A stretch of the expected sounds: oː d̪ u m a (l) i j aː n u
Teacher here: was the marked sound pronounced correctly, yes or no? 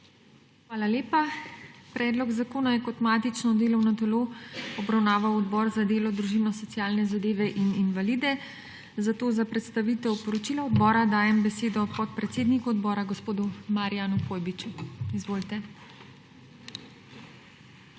no